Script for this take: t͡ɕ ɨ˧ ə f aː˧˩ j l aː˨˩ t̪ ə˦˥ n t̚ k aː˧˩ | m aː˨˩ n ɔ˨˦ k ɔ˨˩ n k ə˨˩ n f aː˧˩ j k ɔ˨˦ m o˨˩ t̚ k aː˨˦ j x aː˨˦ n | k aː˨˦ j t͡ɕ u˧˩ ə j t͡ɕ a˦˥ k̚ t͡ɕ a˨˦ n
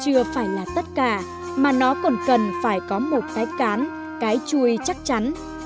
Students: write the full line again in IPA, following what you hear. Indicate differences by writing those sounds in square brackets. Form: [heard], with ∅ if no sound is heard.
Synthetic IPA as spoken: t͡ɕ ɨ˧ ə f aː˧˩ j l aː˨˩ t̪ ə˦˥ [∅] t̚ k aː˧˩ | m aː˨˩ n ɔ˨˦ k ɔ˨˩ n k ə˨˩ n f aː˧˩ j k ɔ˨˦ m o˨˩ t̚ k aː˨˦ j [k] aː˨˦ n | k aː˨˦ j t͡ɕ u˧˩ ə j t͡ɕ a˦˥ k̚ t͡ɕ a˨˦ n